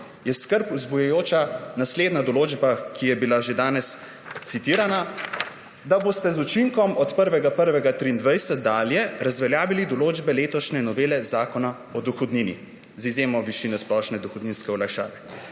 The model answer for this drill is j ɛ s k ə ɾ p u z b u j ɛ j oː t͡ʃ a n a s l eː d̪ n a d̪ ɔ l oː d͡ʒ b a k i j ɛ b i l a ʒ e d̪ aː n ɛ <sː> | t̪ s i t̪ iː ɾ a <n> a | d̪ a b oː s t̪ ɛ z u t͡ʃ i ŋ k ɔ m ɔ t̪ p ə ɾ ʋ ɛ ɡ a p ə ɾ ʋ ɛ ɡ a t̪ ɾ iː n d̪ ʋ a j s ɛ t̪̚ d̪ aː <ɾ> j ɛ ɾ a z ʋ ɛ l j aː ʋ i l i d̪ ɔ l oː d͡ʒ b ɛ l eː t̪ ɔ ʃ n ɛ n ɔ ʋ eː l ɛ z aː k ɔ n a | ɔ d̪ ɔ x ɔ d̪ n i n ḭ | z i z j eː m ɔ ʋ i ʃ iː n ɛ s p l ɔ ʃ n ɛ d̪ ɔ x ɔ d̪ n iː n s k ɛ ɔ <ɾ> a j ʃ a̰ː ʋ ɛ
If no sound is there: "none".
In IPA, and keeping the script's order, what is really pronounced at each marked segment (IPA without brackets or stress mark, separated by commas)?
s, n, l, l